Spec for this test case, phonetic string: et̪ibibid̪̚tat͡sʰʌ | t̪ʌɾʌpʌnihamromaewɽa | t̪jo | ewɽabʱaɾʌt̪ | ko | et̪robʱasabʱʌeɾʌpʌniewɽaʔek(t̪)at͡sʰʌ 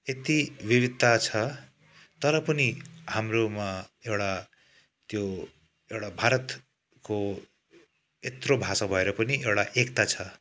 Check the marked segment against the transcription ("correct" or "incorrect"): correct